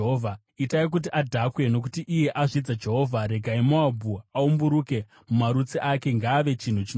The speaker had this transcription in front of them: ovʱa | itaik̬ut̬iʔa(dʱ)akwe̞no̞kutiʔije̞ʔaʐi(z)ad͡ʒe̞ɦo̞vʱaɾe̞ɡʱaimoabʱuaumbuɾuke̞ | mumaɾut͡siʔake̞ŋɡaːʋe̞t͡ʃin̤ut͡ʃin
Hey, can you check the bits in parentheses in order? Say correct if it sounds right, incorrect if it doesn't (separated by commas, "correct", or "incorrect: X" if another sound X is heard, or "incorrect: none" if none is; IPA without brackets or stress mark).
correct, incorrect: d͡z